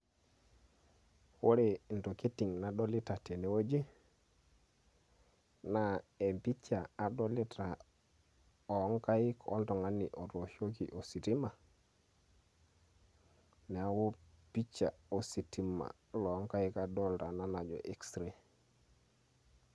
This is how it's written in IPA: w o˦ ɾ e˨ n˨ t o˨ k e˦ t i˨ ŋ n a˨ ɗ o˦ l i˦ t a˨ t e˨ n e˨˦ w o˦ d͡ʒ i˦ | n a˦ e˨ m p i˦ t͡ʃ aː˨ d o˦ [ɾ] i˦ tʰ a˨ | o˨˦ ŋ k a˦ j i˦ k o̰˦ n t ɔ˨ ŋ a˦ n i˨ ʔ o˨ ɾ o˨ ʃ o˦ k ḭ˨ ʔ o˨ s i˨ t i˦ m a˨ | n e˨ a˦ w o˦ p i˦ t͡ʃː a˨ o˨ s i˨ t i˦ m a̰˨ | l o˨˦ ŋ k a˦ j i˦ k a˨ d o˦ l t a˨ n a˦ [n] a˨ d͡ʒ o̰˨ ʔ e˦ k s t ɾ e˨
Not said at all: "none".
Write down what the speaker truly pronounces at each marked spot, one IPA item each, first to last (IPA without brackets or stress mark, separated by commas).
l, n